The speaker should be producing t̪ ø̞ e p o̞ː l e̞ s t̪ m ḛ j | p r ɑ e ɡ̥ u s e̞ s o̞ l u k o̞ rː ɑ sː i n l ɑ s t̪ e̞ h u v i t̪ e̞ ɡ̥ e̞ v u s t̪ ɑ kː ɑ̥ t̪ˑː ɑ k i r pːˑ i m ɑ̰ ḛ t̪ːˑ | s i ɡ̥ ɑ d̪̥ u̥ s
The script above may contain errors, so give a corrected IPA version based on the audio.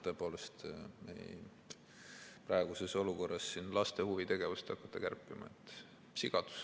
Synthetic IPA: t̪ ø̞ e p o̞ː l e̞ s t̪ m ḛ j | p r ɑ e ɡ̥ u s e̞ s o̞ l u k o̞ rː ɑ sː i n l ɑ s t̪ e̞ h u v i t̪ e̞ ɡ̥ e̞ v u s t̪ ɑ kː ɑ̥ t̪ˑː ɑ k æ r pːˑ i m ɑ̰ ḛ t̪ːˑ | s i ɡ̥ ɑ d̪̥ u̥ s